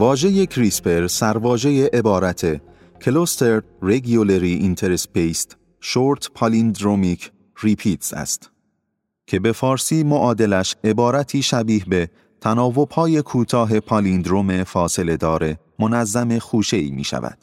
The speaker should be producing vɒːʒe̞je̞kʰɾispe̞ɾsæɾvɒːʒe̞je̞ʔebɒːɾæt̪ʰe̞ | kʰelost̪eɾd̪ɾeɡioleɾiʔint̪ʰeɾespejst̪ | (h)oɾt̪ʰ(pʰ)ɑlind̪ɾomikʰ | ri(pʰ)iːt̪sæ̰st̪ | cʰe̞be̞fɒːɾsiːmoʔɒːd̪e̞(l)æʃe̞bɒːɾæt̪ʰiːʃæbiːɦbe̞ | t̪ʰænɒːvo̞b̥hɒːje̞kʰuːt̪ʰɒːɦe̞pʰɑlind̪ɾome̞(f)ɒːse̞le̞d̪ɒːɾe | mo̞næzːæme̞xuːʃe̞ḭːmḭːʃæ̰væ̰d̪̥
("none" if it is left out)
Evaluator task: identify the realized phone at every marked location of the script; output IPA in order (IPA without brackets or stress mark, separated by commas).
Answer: ʃ, pʰ, pʰ, l, f